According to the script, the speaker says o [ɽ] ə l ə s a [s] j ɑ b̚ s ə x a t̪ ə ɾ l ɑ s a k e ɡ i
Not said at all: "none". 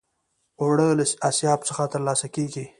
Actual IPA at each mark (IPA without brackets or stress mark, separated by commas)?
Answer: ɽ, s